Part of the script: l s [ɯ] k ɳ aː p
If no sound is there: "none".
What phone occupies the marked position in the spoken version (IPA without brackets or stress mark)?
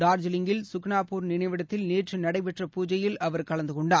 ʊ